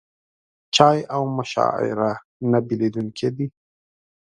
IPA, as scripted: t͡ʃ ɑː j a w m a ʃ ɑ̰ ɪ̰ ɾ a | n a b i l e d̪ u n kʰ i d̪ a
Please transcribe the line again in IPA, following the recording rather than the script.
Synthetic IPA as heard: t͡ʃ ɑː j a w m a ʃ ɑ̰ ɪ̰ ɾ a | n a b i l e d̪ u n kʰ e d̪ i